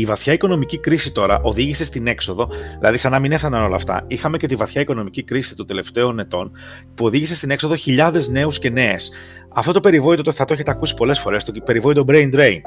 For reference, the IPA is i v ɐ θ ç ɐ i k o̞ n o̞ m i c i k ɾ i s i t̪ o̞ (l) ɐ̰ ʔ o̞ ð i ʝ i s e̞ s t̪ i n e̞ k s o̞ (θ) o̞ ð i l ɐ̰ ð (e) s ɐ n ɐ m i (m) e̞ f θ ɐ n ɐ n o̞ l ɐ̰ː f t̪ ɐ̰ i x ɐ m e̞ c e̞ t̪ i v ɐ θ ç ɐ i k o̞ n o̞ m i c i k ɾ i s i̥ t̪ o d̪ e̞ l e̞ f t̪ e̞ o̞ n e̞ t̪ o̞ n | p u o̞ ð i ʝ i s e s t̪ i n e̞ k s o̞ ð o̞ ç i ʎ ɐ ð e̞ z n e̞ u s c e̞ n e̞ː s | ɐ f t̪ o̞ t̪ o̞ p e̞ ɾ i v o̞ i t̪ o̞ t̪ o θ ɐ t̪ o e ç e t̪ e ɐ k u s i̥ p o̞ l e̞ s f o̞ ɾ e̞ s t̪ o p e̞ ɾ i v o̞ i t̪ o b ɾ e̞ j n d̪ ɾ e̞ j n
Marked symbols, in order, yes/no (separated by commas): no, no, no, no